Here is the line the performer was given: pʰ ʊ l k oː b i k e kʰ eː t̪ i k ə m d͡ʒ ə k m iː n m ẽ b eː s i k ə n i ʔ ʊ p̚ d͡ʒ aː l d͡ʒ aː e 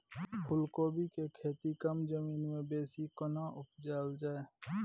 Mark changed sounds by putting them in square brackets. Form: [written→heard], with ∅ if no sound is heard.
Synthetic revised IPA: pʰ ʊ l k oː b i k e kʰ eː t̪ i k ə m d͡ʒ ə [k→∅] m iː n m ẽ b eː s i k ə n [i→a] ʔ ʊ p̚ d͡ʒ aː l d͡ʒ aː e